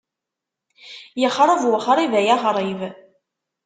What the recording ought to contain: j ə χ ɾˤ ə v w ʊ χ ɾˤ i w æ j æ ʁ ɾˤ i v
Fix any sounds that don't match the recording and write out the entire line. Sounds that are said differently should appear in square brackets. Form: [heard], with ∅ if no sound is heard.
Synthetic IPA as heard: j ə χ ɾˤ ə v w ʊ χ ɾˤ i [v] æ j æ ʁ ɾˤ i v